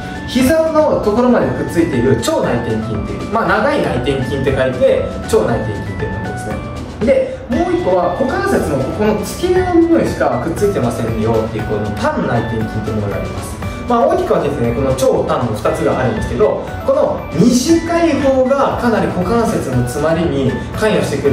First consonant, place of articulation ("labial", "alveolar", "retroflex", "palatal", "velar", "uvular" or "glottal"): palatal